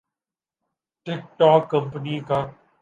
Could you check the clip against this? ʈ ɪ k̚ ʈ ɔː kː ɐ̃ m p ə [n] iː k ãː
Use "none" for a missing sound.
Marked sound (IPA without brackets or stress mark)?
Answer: n